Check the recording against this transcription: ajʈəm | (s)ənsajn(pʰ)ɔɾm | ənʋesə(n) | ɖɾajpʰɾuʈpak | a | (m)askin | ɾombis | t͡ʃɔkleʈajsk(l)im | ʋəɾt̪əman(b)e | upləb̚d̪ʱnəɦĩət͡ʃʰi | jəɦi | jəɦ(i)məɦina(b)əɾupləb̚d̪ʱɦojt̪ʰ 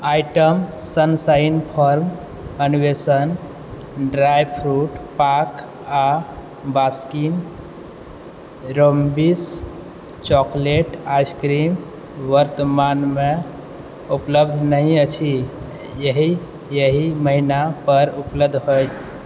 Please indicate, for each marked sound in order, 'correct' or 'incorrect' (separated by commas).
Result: correct, correct, correct, incorrect, incorrect, incorrect, correct, incorrect